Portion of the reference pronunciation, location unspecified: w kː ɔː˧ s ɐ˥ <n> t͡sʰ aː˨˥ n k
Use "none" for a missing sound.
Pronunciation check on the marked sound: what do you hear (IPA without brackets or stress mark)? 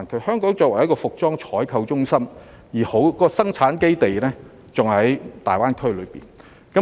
ŋ